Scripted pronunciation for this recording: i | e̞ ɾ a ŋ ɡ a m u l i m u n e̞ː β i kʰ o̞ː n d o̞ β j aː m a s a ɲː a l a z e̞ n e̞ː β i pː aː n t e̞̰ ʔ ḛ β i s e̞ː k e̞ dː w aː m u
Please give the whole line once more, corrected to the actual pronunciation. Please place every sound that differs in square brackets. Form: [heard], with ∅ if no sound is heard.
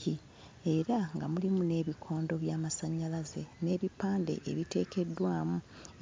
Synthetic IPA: i | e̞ ɾ a ŋ ɡ a m u l i m u n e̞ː β i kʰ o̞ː n d o̞ β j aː m a s a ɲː a l a z e̞ n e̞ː β i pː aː n [d] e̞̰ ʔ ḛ β i [t] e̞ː k e̞ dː w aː m u